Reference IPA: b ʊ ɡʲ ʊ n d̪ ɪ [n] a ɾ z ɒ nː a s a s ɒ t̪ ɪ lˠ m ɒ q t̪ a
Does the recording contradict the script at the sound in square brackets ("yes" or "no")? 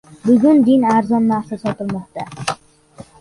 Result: no